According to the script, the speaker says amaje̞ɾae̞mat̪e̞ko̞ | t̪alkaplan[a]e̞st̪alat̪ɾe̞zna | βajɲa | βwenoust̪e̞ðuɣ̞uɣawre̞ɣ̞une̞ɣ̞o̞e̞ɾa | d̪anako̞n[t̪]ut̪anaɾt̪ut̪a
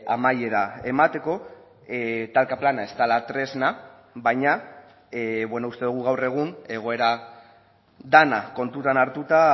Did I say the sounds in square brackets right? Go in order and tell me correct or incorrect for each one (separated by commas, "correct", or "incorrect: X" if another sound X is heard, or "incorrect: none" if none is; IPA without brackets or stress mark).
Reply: correct, correct